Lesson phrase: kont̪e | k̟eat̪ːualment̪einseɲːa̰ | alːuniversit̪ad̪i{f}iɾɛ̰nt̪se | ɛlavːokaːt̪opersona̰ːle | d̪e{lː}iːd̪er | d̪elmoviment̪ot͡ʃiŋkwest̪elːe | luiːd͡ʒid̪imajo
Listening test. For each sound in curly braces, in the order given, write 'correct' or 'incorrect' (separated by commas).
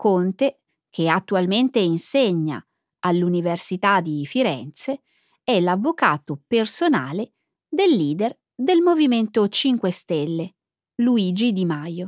correct, correct